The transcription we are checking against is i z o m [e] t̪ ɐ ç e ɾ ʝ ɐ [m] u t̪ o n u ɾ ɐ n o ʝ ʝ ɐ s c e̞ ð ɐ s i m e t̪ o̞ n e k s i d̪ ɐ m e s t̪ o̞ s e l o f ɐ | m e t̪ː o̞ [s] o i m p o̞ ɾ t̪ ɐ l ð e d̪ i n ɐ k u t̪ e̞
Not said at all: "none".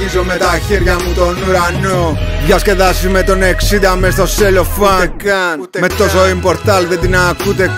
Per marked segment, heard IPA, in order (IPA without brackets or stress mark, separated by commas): e, m, s